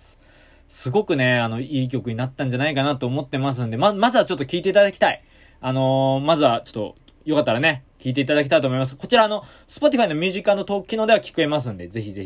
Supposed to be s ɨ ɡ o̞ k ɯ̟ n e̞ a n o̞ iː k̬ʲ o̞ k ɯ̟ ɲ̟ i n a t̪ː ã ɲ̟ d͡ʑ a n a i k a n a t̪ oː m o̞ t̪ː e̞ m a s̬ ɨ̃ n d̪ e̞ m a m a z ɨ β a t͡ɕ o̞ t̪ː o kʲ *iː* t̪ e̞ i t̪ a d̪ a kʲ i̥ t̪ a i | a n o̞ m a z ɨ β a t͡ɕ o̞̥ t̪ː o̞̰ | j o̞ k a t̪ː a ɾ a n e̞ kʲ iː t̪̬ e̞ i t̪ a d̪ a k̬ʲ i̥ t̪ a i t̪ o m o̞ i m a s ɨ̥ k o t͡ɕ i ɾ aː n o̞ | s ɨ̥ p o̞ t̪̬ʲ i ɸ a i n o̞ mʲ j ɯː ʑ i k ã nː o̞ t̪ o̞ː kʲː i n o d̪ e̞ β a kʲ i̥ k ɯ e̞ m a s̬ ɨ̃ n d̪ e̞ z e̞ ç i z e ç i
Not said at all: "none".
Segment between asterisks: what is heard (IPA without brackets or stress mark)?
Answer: iː